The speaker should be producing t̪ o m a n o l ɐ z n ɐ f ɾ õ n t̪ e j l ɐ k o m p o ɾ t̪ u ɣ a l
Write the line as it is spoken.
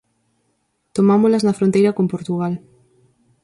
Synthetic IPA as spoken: t̪ o m a m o l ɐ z n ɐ f ɾ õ n t̪ e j ɾ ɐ k o m p o ɾ t̪ u ɣ a l